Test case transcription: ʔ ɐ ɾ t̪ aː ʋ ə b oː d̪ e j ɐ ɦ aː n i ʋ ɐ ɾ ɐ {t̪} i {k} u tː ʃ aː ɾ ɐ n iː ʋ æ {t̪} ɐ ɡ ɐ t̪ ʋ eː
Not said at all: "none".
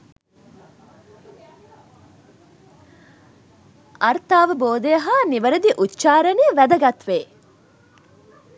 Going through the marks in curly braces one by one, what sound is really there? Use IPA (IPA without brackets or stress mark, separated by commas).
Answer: d̪, ʔ, d̪